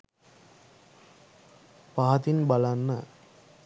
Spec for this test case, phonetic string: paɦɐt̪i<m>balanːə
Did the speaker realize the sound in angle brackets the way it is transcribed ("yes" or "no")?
no